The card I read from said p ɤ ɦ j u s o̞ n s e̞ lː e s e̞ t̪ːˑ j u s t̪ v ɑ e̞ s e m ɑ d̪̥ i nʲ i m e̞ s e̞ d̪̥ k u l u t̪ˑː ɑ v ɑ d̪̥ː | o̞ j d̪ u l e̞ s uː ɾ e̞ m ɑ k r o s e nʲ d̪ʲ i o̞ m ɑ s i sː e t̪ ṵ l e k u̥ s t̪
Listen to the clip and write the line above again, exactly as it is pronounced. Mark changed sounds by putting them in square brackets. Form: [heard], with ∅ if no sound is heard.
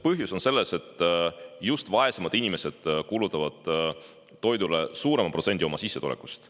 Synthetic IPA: p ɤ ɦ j u s o̞ n s e̞ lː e s e̞ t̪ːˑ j u s t̪ v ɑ e̞ s e m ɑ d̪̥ i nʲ i m e̞ s e̞ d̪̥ k u l u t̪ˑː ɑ v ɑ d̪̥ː | o̞ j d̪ u l e̞ s uː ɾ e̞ m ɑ [p] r o s e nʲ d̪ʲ i o̞ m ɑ s i sː e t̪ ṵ l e k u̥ s t̪